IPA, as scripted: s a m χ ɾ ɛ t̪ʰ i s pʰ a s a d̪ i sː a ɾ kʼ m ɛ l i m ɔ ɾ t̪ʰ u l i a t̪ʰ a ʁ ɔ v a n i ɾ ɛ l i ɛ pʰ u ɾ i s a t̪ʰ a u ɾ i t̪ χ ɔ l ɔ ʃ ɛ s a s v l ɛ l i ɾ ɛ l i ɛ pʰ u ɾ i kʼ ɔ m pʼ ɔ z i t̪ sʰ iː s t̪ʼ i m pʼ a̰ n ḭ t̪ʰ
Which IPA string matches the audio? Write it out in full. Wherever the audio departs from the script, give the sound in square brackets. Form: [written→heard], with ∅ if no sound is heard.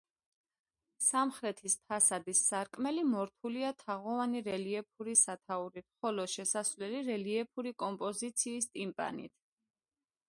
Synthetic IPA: s a m χ ɾ ɛ t̪ʰ i s pʰ a s a d̪ i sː a ɾ kʼ m ɛ l i m ɔ ɾ t̪ʰ u l i a t̪ʰ a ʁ ɔ v a n i ɾ ɛ l i ɛ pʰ u ɾ i s a t̪ʰ a u ɾ i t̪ χ ɔ l ɔ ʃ ɛ s a s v l ɛ l i ɾ ɛ l i ɛ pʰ u ɾ i kʼ ɔ m pʼ ɔ z i t̪ sʰ iː s t̪ʼ i m pʼ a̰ n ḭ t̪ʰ